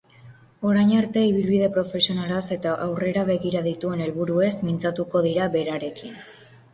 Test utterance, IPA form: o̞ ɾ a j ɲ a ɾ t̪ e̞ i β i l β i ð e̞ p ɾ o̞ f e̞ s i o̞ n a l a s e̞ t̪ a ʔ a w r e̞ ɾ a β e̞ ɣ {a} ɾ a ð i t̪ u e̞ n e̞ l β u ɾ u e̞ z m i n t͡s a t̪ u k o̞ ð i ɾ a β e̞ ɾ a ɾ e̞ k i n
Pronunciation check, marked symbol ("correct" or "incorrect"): incorrect